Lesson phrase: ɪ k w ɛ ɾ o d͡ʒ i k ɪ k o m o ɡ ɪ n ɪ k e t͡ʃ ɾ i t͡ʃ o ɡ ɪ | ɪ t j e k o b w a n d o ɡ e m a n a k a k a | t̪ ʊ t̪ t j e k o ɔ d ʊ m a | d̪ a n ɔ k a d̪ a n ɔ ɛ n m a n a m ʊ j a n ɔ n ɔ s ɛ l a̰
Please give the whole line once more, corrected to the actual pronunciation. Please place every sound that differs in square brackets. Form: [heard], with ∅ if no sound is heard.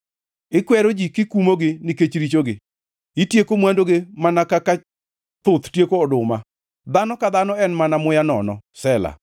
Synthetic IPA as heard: ɪ k w ɛ ɾ o d͡ʒ i k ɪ k [u] m o ɡ ɪ n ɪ k e t͡ʃ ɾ i t͡ʃ o ɡ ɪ | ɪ t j e k o [m] w a n d o ɡ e m a n a k a k a | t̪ ʊ t̪ t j e k o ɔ d ʊ m a | d̪ a n ɔ k a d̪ a n ɔ ɛ n m a n a m ʊ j a n ɔ n ɔ s ɛ l a̰